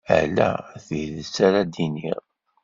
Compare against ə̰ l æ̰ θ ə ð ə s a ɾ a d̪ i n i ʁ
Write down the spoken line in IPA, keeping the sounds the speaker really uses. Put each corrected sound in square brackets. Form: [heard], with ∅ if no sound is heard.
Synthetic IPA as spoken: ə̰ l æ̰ θ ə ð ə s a ɾ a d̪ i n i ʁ